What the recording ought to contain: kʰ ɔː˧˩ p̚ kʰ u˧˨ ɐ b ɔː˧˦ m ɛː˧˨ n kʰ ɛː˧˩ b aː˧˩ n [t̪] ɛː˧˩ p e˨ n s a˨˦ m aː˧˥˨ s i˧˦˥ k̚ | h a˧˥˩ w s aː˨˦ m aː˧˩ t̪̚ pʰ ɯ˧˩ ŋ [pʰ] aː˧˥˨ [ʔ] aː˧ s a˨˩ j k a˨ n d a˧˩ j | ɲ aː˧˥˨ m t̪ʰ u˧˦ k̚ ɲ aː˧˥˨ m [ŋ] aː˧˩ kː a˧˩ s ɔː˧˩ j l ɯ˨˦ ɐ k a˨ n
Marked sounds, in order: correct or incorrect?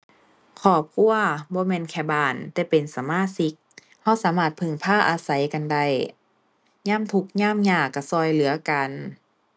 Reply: correct, correct, correct, incorrect: ɲ

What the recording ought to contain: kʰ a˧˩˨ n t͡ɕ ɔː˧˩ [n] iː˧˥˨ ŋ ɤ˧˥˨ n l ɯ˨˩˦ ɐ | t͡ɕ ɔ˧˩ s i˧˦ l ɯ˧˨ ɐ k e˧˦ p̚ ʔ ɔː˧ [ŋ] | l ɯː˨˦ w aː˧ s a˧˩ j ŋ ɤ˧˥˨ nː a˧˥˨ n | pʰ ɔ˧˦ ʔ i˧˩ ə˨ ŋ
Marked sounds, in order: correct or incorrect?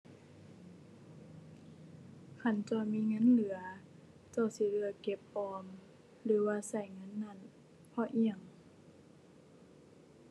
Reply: incorrect: m, incorrect: m

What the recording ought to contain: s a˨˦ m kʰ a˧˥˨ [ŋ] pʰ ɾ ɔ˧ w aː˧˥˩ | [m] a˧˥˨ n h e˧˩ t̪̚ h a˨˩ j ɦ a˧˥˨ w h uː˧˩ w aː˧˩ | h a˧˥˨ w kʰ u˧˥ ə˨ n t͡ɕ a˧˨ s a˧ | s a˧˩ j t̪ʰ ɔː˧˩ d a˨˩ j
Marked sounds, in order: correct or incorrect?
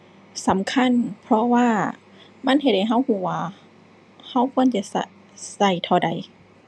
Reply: incorrect: n, correct

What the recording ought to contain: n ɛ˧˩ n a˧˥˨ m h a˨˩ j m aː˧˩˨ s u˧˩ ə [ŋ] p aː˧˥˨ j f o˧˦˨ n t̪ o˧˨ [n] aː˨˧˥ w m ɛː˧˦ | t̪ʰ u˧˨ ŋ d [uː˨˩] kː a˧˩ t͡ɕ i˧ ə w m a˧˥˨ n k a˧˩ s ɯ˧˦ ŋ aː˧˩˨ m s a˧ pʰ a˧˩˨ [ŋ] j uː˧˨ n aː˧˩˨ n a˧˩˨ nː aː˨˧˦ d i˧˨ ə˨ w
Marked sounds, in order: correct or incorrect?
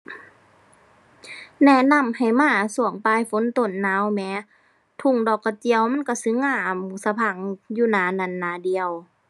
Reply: correct, incorrect: nː, incorrect: ɔː˨˩, correct

